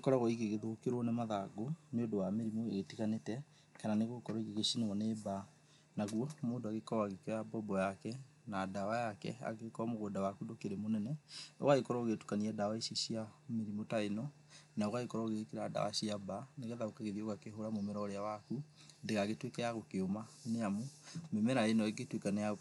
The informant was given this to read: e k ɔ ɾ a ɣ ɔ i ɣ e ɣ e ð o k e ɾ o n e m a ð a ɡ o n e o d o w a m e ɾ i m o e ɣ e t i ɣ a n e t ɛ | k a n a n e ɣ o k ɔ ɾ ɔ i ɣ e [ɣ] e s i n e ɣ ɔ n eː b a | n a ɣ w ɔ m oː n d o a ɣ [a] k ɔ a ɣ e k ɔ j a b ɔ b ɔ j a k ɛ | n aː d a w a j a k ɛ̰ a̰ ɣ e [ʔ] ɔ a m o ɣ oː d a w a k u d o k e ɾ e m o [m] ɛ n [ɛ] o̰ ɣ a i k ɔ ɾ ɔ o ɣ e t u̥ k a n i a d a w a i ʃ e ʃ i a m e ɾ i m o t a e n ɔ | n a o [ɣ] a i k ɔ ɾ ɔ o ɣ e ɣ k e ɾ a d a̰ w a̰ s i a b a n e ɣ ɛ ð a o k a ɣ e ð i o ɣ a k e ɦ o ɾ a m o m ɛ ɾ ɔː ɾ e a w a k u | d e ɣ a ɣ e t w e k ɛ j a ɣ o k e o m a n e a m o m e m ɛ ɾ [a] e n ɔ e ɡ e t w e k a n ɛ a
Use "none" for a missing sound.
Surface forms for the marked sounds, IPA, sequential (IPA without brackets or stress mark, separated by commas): ɣ, e, k, n, ɛ, ɣ, a